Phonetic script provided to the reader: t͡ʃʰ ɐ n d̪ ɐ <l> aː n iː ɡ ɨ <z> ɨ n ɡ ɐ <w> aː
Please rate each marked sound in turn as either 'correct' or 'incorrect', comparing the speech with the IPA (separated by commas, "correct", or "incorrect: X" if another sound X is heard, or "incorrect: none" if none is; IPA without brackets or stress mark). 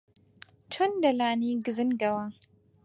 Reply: correct, correct, correct